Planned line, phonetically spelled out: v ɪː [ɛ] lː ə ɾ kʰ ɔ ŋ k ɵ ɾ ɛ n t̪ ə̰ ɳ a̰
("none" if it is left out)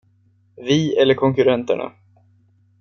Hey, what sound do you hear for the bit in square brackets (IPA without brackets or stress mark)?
ɛ